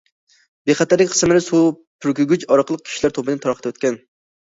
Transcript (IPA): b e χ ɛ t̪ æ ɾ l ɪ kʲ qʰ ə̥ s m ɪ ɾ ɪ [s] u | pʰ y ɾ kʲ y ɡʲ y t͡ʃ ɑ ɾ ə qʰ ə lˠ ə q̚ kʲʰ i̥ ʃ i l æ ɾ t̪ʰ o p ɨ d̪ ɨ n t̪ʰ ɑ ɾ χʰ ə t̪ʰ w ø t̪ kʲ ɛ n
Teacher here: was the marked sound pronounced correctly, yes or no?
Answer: yes